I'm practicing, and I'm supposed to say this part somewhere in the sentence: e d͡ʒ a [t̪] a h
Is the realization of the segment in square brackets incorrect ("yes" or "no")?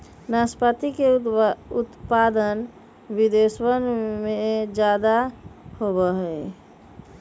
yes